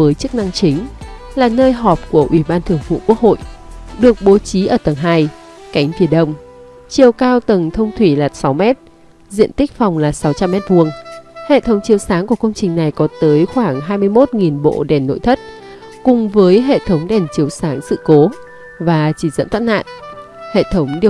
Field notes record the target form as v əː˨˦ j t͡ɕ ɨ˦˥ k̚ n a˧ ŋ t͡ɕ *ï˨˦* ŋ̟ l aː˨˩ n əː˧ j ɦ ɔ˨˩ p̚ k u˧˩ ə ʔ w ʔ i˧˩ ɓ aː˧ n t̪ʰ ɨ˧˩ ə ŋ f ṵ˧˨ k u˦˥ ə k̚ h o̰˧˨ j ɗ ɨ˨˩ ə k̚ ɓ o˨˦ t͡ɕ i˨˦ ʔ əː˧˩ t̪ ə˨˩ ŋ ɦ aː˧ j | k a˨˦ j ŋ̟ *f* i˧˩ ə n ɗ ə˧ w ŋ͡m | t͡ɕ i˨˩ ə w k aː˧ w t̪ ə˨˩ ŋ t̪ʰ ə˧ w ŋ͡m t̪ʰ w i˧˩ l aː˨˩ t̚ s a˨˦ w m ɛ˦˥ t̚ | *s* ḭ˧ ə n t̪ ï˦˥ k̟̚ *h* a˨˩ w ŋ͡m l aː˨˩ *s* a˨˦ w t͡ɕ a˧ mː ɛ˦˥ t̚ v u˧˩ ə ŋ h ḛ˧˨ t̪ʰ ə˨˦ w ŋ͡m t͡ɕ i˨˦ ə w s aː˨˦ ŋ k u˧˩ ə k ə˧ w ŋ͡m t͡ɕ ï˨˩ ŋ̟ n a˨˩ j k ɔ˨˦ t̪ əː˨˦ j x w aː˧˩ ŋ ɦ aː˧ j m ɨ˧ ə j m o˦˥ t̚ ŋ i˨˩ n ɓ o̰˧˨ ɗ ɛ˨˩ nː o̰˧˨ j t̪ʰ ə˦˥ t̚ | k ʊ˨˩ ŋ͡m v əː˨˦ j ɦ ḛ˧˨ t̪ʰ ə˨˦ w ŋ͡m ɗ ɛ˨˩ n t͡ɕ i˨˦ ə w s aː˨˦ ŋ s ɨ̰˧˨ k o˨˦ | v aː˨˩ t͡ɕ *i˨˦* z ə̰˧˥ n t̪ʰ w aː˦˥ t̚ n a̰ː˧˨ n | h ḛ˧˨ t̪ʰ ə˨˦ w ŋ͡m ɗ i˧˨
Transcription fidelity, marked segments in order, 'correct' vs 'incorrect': correct, correct, incorrect: z, incorrect: f, correct, incorrect: i˧˩

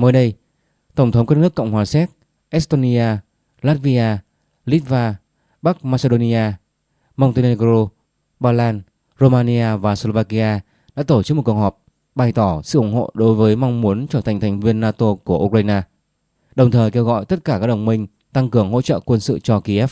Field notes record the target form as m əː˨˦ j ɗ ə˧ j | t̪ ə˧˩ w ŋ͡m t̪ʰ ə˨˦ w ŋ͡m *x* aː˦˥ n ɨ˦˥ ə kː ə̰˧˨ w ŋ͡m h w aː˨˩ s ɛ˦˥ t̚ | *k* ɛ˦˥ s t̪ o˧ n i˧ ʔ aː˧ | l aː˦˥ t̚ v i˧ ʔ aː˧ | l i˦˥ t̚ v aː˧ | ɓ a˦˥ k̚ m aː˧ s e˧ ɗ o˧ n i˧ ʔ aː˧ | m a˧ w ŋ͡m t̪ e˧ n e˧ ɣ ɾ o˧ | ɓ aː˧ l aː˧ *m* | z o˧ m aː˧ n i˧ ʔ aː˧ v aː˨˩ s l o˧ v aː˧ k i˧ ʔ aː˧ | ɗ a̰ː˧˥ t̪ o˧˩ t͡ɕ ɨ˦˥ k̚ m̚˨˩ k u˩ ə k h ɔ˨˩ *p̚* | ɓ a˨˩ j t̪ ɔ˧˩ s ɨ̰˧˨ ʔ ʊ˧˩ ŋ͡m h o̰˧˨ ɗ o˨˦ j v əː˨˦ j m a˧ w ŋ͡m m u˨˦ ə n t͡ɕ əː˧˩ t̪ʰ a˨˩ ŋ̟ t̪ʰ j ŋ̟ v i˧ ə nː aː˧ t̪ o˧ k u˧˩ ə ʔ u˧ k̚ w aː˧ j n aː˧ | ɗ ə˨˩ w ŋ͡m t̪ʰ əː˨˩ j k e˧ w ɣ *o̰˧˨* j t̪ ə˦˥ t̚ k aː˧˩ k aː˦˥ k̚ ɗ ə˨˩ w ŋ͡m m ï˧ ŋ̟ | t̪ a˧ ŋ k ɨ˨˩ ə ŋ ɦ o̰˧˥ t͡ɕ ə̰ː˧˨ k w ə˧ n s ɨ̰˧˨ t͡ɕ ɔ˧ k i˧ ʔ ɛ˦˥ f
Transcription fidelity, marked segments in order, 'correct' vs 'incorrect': incorrect: k, incorrect: ʔ, incorrect: n, correct, incorrect: ɔ̰˧˨

